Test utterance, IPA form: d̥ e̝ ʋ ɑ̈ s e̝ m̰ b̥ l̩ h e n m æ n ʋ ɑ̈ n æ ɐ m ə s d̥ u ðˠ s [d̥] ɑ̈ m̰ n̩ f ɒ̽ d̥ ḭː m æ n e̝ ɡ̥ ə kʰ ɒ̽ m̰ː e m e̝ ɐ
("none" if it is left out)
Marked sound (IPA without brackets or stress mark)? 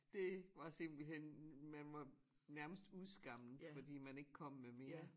ɡ̥